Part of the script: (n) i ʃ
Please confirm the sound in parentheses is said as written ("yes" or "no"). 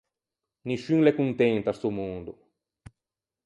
yes